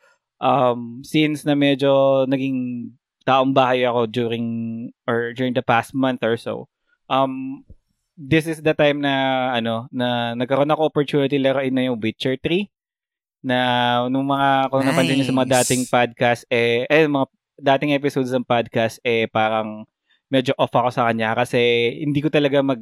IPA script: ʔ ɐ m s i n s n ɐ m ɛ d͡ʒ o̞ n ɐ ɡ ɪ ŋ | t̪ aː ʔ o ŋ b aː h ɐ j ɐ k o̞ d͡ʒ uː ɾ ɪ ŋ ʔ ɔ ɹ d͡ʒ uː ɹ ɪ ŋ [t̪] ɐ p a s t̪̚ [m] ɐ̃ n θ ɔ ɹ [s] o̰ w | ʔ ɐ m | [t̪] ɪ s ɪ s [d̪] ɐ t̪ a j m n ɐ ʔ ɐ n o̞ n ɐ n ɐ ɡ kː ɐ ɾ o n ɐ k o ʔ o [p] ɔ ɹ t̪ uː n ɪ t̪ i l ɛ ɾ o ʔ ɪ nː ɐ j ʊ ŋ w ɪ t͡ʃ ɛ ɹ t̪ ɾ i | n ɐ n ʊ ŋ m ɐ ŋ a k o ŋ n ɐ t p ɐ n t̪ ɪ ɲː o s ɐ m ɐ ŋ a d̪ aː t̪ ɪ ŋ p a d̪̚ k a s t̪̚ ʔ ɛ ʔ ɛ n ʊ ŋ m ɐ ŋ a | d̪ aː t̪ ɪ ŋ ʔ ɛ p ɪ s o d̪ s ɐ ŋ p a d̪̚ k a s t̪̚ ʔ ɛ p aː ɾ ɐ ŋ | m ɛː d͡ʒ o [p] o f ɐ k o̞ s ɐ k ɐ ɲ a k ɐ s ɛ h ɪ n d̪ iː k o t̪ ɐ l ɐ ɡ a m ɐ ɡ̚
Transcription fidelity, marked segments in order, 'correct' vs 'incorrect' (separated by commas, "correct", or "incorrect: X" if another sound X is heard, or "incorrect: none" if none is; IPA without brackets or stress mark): incorrect: d̪, correct, correct, incorrect: d̪, correct, correct, incorrect: ʔ